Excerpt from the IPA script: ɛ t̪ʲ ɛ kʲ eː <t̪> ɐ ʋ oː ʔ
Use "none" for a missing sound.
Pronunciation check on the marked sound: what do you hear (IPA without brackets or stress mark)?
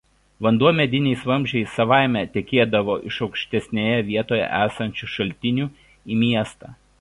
d̪